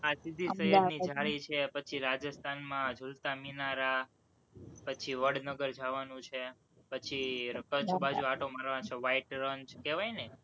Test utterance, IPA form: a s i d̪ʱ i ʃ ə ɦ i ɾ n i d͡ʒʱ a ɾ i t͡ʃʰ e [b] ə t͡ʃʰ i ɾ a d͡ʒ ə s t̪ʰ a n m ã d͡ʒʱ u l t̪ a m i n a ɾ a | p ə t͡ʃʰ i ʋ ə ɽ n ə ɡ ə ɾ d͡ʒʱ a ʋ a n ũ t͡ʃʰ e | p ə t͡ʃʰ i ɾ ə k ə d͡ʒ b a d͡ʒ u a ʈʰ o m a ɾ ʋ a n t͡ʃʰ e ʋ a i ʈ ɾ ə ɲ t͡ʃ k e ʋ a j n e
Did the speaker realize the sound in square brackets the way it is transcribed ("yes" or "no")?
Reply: no